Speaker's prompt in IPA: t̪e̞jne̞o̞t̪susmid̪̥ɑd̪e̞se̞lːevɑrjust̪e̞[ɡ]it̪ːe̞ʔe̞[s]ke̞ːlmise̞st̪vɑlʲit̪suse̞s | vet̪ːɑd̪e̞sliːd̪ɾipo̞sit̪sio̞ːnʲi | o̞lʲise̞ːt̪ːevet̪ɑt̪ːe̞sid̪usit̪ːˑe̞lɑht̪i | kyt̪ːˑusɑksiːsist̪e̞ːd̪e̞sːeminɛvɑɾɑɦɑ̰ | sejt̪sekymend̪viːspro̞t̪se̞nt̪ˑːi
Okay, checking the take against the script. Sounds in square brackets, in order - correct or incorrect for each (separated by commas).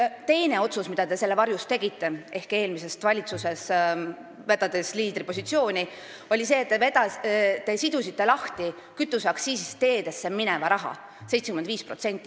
correct, incorrect